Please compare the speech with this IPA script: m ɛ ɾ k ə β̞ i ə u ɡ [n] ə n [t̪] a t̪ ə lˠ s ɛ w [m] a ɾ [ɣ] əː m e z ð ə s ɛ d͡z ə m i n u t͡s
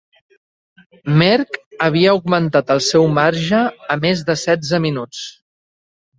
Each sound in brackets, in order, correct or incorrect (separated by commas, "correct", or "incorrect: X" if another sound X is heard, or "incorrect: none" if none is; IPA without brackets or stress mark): incorrect: m, correct, correct, incorrect: ʒ